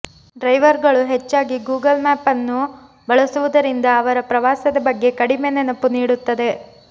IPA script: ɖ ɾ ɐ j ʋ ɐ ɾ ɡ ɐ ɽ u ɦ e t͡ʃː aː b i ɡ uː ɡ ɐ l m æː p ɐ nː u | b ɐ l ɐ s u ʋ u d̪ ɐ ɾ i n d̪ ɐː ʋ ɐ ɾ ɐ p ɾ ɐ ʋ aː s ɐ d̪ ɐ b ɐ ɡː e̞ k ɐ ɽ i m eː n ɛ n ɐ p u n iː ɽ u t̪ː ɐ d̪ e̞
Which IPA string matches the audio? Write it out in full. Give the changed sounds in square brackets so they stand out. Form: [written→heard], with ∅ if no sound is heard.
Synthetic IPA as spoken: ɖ ɾ ɐ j ʋ ɐ ɾ ɡ ɐ [ɽ→ɭ] u ɦ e t͡ʃː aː [b→ɡ] i ɡ uː ɡ ɐ l m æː p ɐ nː u | b ɐ [l→ɭ] ɐ s u ʋ u d̪ ɐ ɾ i n d̪ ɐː ʋ ɐ ɾ ɐ p ɾ ɐ ʋ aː s ɐ d̪ ɐ b ɐ ɡː e̞ k ɐ ɽ i m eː n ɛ n ɐ p u n iː ɽ u t̪ː ɐ d̪ e̞